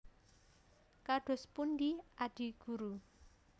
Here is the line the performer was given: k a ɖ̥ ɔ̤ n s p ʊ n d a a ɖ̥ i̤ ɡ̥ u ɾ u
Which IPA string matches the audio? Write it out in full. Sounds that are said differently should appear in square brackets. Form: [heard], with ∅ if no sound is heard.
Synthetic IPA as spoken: k a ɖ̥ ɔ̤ [∅] s p [u] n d [i] a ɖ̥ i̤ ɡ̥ u ɾ u